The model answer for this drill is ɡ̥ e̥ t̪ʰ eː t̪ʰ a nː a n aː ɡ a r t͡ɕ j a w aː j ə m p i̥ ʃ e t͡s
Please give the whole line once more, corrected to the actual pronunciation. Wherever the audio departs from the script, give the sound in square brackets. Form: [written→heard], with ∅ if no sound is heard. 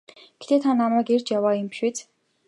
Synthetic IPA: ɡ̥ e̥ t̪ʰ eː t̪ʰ a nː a [n→m] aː ɡ [a→e] r t͡ɕ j a w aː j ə m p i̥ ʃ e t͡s